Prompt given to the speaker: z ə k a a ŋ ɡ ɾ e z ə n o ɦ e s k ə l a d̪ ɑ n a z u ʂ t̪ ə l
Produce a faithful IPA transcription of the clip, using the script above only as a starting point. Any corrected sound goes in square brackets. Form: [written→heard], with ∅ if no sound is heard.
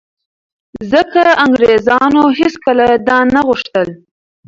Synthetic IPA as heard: z ə k a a ŋ ɡ ɾ e z [ə→ɑ] n o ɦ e s k ə l a d̪ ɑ n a [z→ɣ] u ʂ t̪ ə l